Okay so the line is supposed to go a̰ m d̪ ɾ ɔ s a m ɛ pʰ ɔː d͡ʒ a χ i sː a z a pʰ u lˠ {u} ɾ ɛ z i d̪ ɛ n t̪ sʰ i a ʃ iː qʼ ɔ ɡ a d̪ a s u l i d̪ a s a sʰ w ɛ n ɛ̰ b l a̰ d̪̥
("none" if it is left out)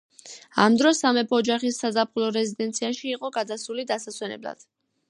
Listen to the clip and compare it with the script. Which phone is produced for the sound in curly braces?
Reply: ɔ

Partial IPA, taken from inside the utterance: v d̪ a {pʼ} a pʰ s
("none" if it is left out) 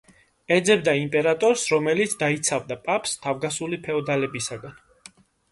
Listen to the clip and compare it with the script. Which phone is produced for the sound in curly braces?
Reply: pʼ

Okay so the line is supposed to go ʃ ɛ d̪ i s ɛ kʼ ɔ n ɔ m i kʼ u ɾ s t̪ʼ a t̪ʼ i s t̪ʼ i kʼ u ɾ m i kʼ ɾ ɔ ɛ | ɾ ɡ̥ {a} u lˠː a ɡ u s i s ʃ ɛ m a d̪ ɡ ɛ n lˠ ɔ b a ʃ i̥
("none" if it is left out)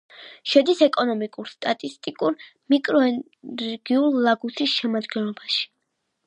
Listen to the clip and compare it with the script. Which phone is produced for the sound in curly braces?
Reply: i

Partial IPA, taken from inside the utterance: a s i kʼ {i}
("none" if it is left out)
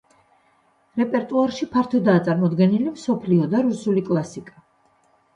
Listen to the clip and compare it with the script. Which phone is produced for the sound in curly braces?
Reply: a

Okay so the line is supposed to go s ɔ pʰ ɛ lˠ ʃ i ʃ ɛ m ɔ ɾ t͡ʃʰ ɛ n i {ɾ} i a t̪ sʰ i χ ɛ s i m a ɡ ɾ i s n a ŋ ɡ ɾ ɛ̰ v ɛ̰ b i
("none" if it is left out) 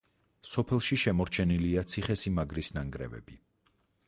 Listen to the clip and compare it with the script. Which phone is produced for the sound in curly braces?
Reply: l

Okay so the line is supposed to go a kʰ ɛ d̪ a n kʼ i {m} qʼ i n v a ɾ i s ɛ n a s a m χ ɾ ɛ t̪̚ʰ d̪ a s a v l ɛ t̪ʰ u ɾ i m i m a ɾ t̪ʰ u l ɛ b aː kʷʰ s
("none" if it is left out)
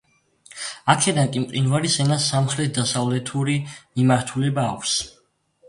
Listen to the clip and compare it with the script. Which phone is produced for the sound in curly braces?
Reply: m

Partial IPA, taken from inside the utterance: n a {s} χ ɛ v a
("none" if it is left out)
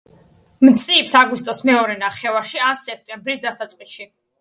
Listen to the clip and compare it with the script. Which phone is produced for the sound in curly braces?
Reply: none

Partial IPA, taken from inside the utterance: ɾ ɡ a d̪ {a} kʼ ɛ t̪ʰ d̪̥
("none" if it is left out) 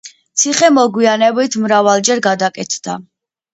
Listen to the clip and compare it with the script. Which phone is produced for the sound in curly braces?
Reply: a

